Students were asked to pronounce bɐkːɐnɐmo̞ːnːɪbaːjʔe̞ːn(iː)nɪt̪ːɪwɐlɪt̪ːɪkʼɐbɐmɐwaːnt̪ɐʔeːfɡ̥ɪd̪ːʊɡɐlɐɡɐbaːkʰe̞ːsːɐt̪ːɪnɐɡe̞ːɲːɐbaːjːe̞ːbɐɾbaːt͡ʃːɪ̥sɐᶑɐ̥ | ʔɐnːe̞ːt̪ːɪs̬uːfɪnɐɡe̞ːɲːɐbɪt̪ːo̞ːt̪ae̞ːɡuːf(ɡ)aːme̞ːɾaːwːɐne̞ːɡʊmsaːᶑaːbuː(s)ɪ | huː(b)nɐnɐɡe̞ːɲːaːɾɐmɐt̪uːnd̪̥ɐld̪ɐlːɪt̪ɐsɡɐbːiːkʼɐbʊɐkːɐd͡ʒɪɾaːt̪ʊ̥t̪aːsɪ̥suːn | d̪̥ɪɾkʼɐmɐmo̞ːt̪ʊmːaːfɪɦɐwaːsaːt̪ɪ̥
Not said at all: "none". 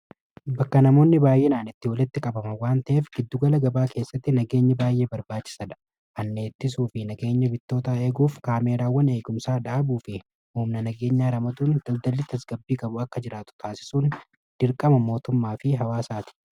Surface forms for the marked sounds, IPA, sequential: aː, k, f, m

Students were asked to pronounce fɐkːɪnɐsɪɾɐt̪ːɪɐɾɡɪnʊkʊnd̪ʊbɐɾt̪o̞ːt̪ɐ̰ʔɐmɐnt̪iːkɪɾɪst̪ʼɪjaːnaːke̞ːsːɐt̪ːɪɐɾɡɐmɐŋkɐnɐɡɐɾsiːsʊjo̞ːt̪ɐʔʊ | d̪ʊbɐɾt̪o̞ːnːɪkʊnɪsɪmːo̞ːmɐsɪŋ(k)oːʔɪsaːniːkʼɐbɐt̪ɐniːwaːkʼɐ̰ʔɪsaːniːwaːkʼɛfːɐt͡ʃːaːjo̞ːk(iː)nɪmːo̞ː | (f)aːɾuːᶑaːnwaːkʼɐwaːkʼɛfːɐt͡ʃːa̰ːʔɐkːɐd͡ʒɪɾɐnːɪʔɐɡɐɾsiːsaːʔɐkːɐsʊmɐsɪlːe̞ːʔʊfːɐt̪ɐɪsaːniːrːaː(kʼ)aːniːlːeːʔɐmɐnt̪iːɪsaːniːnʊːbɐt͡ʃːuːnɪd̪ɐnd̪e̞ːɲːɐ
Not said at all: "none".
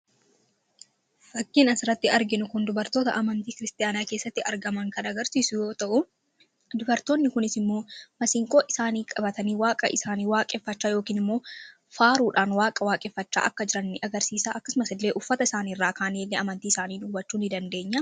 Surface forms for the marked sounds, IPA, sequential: kʼ, iː, f, k

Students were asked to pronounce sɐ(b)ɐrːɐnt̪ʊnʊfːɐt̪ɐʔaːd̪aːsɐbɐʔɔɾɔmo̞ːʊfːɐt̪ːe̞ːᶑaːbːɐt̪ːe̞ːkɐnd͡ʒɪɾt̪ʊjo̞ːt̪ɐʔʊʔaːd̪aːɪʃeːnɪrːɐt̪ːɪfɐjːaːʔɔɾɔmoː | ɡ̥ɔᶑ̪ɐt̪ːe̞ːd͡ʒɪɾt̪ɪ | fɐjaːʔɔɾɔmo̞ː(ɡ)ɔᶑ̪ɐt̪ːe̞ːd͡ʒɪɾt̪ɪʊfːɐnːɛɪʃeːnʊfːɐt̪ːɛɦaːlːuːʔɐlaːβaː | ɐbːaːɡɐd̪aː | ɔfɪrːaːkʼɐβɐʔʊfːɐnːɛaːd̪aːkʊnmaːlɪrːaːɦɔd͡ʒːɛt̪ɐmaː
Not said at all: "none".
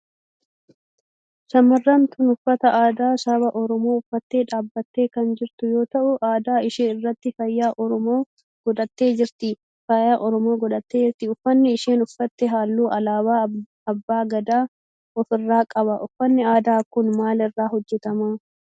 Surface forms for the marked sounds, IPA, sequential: m, ɡ

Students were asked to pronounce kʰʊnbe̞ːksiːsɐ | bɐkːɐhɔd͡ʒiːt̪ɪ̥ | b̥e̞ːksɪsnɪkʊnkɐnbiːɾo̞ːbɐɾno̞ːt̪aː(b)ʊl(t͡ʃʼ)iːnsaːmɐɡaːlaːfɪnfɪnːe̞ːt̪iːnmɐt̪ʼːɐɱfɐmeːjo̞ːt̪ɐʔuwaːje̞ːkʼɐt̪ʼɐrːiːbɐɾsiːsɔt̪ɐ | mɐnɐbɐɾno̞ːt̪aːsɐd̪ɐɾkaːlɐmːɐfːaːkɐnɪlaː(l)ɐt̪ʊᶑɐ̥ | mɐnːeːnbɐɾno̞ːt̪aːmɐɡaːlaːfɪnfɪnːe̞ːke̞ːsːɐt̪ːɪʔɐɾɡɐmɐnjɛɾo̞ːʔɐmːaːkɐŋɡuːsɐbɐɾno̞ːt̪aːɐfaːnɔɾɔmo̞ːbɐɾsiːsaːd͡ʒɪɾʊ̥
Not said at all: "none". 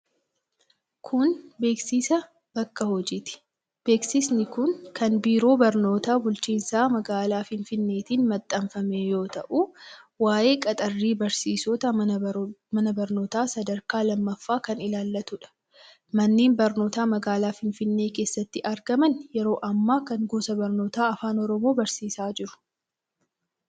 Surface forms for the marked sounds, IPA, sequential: b, t͡ʃ, lː

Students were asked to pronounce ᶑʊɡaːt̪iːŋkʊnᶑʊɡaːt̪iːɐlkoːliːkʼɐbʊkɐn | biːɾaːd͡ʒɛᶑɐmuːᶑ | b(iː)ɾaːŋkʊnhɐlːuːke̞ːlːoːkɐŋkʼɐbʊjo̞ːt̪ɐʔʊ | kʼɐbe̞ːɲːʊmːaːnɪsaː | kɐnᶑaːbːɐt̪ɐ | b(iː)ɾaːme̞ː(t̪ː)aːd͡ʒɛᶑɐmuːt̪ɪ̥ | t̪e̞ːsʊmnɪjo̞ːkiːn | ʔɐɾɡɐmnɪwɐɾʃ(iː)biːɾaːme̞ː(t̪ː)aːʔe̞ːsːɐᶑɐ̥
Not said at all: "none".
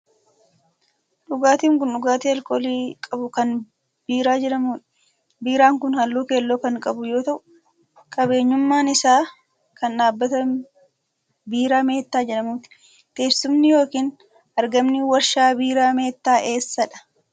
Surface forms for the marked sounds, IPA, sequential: iː, iː, t̪ː, aː, t̪ː

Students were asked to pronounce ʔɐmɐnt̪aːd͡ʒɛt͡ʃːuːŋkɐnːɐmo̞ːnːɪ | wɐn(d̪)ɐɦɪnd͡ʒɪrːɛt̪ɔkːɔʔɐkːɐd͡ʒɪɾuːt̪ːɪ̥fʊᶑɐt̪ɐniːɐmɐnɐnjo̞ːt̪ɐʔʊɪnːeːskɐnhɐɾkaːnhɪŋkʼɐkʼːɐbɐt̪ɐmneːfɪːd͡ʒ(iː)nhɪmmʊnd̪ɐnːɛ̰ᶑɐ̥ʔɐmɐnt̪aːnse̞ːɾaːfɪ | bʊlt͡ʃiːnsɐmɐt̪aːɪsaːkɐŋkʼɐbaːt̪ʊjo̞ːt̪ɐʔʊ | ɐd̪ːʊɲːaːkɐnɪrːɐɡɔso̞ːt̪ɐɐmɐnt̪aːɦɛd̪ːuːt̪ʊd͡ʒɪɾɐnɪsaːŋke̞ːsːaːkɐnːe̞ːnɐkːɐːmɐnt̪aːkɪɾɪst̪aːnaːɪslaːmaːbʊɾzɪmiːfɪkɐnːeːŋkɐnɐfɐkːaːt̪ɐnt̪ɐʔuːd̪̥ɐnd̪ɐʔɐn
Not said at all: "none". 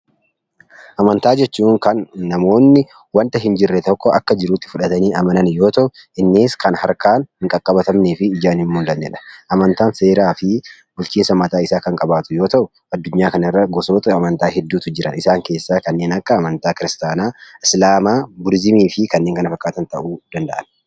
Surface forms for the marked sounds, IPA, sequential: t̪, aː

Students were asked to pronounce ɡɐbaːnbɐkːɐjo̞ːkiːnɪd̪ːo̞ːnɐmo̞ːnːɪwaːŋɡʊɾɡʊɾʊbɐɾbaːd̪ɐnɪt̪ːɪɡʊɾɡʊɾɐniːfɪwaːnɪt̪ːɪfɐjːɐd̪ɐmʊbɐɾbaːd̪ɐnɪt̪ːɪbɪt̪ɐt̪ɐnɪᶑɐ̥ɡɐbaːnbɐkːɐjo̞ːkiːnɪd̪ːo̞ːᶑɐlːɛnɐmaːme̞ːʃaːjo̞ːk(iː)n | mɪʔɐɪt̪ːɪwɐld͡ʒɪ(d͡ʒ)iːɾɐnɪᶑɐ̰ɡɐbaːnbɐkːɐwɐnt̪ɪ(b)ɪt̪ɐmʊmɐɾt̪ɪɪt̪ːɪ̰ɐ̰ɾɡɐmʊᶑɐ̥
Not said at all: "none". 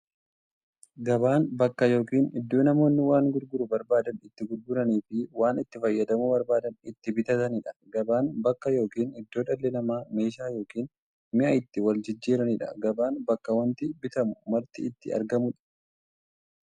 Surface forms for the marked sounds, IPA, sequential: iː, d͡ʒː, b

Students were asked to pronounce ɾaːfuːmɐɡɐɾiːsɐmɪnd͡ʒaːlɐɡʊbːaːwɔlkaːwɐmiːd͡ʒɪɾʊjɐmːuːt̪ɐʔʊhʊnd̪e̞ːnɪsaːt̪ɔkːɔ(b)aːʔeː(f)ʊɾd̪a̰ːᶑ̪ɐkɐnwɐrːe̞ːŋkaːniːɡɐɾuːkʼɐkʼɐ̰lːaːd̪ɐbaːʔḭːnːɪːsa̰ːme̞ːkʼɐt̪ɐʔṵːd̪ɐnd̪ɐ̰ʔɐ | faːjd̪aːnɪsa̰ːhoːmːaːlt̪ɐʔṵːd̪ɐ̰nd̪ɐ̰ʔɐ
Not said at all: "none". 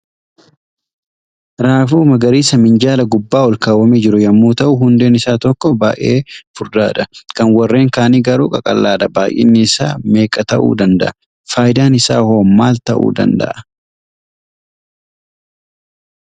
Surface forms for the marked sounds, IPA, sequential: b, f

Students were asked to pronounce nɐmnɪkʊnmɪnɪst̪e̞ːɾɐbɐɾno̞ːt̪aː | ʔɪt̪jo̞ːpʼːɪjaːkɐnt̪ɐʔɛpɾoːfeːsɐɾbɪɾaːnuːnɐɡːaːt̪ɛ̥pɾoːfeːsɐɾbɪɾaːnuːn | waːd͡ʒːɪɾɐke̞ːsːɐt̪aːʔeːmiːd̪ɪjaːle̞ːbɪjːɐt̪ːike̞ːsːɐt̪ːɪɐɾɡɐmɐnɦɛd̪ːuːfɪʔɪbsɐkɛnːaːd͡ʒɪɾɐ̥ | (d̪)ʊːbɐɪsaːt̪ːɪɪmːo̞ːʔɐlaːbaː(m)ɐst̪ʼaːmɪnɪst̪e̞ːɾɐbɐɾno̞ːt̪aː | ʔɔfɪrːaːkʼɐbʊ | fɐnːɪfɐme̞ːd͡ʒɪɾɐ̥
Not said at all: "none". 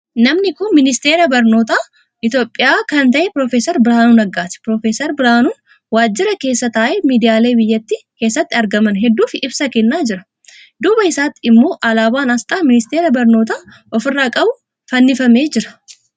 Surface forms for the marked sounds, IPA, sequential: d̪, n

